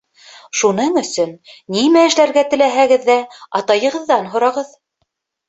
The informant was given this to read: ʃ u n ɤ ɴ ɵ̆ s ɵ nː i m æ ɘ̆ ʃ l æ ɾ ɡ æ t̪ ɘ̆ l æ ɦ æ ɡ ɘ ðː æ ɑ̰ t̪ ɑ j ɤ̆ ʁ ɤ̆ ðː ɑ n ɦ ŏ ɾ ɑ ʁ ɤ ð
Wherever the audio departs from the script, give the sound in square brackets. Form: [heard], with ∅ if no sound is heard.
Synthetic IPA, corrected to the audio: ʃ u n ɤ ɴ ɵ̆ s ɵ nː i m æ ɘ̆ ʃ l æ ɾ ɡ æ t̪ ɘ̆ l æ ɦ æ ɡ ɘ ðː æ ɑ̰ t̪ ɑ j ɤ̆ ʁ ɤ̆ ðː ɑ n ɦ ŏ ɾ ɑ ʁ ɤ ð